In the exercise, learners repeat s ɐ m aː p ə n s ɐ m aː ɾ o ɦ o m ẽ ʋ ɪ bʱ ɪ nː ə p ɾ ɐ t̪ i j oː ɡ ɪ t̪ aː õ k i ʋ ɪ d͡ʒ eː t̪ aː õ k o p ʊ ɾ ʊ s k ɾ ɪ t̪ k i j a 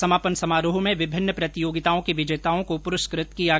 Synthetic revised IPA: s ɐ m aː p ə n s ɐ m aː ɾ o ɦ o m ẽ ʋ ɪ bʱ ɪ nː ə p ɾ ɐ t̪ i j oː ɡ ɪ t̪ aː õ k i ʋ ɪ d͡ʒ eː t̪ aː õ k o p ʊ ɾ ʊ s k ɾ ɪ t̪ k i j a